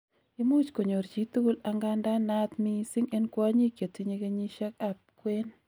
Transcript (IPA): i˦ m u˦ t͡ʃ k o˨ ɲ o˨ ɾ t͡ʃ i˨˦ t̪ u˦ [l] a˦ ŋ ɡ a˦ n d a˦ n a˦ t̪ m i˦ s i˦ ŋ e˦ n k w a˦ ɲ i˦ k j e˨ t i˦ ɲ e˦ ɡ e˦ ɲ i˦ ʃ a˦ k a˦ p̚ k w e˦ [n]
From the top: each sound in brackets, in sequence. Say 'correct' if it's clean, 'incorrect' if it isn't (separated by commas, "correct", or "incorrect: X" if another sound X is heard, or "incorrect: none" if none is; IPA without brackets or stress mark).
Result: correct, correct